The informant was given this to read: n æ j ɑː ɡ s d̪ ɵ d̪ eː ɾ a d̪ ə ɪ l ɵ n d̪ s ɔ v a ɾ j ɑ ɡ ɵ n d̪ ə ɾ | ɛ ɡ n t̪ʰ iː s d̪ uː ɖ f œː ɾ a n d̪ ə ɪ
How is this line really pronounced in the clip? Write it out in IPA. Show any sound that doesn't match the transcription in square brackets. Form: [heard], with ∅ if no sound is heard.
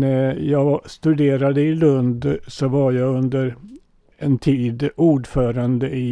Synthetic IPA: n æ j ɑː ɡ s [t̪] ɵ d̪ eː ɾ a d̪ ə ɪ l ɵ n d̪ s ɔ v a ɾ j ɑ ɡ ɵ n d̪ ə ɾ | ɛ [∅] n t̪ʰ iː [∅] d̪ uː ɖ f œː ɾ a n d̪ ə ɪ